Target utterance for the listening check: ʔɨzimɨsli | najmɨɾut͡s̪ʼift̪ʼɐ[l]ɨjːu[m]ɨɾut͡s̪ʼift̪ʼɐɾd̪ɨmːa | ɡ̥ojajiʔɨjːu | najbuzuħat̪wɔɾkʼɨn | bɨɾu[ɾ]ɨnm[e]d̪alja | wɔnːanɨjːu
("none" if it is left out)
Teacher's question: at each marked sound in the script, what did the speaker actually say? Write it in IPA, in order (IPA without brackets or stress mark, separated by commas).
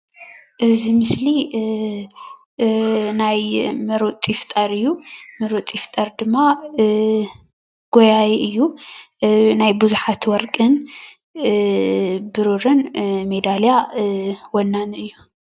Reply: ɾ, m, ɾ, e